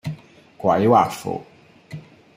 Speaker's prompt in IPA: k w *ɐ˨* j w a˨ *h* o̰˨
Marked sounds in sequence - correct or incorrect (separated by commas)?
incorrect, incorrect